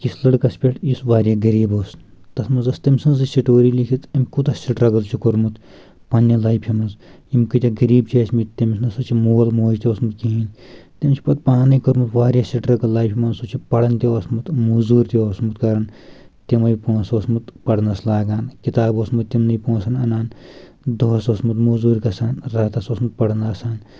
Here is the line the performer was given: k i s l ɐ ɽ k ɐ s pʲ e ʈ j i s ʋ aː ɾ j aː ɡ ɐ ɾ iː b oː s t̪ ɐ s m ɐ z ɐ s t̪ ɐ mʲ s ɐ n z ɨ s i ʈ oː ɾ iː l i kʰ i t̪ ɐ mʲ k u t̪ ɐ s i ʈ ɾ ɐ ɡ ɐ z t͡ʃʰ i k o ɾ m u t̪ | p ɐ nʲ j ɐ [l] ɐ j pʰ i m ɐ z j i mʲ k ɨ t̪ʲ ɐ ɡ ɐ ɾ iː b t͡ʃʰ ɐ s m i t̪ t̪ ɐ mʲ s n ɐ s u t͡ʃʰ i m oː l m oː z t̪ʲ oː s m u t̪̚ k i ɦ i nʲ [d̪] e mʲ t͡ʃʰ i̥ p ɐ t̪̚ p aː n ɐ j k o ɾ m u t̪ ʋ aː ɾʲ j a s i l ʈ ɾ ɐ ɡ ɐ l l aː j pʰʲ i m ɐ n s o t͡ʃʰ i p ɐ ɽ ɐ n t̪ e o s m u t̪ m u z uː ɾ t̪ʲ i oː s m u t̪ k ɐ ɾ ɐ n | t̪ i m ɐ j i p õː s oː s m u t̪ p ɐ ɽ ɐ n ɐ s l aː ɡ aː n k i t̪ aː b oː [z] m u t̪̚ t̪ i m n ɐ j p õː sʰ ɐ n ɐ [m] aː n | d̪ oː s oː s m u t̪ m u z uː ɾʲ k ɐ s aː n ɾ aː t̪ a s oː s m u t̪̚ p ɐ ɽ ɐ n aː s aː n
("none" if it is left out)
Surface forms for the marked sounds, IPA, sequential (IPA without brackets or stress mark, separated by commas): l, t̪, s, n